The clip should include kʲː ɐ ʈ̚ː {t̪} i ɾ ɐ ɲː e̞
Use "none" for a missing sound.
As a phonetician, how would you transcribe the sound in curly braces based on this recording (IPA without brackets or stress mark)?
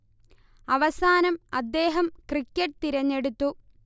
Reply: t̪